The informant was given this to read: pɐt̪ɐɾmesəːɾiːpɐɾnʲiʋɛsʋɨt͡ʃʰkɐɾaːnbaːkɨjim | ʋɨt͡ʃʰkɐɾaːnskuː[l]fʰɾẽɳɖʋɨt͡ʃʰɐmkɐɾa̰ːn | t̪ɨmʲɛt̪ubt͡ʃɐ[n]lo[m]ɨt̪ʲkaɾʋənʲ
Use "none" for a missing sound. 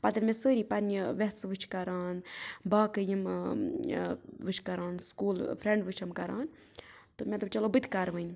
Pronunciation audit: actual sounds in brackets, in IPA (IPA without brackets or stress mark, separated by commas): l, none, b